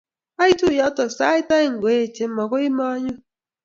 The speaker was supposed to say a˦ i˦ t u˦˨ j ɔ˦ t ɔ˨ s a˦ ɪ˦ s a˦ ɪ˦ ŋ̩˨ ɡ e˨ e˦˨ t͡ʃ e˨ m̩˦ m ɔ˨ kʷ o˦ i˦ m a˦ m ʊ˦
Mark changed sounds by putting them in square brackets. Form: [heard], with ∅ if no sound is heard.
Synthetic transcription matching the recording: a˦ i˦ t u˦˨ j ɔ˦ t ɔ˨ s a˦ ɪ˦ [t] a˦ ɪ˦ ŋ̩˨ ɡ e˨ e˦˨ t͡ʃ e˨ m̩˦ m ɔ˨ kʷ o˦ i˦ m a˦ [ɲ] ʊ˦